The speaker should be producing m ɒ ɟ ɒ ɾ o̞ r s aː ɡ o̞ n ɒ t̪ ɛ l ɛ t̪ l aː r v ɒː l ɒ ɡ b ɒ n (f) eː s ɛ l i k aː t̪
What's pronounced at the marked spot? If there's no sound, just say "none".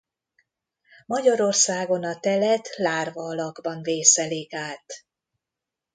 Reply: v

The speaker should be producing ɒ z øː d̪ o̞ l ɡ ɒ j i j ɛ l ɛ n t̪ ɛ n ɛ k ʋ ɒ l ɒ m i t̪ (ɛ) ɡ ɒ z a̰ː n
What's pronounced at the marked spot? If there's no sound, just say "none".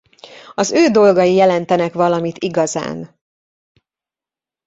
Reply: i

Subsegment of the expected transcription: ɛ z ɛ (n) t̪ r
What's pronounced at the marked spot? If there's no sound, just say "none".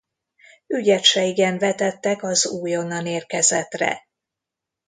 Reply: none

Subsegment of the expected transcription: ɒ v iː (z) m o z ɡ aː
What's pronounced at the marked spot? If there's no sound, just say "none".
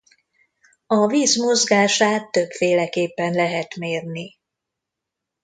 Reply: z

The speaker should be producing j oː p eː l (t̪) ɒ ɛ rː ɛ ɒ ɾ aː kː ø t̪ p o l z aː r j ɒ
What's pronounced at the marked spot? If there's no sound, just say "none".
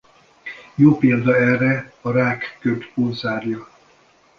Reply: d̪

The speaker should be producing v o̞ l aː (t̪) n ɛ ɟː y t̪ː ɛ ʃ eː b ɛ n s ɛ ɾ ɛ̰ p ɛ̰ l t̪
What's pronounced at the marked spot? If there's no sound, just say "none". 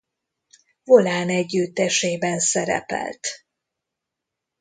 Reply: none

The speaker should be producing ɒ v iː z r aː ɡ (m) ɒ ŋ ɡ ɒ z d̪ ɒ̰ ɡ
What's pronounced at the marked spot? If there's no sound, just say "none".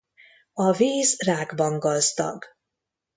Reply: b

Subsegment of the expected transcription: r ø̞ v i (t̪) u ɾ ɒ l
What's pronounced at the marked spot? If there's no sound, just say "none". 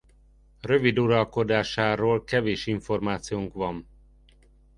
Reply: d̪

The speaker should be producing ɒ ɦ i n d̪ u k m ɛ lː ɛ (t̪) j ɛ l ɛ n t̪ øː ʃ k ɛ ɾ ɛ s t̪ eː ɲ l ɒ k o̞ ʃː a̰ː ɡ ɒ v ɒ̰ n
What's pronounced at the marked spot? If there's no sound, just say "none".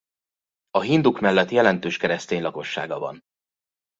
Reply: t̪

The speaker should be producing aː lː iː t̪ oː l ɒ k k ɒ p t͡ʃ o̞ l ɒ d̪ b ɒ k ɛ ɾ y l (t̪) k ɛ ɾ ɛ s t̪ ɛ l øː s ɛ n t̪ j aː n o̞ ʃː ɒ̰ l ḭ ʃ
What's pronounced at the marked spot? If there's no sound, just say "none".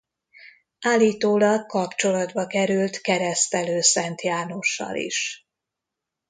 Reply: t̪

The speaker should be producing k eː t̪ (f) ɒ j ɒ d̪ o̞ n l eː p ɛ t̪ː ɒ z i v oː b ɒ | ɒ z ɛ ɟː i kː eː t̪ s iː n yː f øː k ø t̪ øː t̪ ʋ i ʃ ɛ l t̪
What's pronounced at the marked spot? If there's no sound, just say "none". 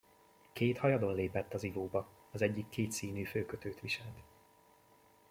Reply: h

